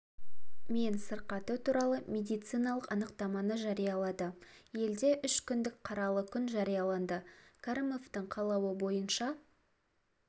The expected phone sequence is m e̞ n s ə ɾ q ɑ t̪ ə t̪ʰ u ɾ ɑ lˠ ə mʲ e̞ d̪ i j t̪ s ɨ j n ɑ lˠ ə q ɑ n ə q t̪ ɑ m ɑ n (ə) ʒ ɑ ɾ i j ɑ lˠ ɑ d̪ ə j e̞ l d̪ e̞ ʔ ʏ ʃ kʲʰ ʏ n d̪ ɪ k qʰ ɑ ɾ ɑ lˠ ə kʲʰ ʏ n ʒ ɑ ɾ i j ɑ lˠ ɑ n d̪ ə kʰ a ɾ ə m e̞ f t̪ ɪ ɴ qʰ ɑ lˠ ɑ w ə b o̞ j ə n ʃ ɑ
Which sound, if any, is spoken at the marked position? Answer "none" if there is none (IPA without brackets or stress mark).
ə